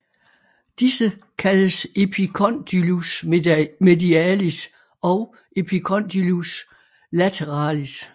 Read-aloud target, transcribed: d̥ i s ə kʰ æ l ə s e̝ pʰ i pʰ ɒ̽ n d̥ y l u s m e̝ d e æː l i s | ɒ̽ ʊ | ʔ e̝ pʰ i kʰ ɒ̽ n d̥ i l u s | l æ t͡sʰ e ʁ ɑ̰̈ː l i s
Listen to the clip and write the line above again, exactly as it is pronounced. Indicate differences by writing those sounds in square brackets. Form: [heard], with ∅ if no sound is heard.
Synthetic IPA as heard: d̥ i s ə kʰ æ l ə s e̝ pʰ i [kʰ] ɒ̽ n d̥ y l u s m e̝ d [i] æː l i s | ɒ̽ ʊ | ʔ e̝ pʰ i kʰ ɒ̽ n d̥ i l u s | l æ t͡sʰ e ʁ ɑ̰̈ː l i s

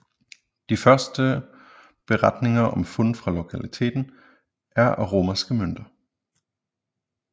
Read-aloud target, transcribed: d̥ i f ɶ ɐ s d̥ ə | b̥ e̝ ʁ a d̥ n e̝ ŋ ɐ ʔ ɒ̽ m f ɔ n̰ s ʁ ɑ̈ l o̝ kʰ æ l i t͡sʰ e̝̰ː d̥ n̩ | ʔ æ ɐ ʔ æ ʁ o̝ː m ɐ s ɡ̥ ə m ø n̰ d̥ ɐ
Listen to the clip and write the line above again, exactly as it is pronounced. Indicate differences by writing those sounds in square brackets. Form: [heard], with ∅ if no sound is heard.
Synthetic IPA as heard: d̥ i f ɶ ɐ s d̥ ə | b̥ e̝ ʁ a d̥ n e̝ ŋ ɐ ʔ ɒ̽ m f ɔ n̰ [f] ʁ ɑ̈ l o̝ kʰ æ l i t͡sʰ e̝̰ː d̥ n̩ | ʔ æ ɐ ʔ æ ʁ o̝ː m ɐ s ɡ̥ ə m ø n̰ d̥ ɐ

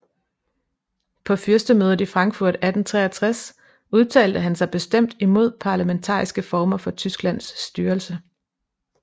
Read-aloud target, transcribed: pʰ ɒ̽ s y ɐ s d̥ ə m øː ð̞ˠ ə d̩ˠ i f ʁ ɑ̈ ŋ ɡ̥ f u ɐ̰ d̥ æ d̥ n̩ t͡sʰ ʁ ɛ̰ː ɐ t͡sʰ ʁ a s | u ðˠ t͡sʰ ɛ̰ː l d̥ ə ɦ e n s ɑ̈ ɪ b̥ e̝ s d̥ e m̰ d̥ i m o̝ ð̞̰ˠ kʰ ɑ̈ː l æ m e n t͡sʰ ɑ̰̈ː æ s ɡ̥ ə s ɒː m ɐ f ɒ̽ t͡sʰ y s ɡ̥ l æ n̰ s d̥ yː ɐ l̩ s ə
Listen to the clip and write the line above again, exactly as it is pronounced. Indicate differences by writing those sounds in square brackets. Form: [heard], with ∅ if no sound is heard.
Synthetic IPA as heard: pʰ ɒ̽ [f] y ɐ s d̥ ə m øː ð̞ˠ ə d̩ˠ i f ʁ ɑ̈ ŋ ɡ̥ f u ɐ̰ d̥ æ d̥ n̩ t͡sʰ ʁ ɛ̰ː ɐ t͡sʰ ʁ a s | u ðˠ t͡sʰ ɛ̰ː l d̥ ə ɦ [æ] n s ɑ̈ ɪ b̥ e̝ s d̥ e m̰ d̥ i m o̝ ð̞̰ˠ [pʰ] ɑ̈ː l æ m e n t͡sʰ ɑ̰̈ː [i] s ɡ̥ ə [f] ɒː m ɐ f ɒ̽ t͡sʰ y s ɡ̥ l æ n̰ s d̥ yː ɐ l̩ s ə

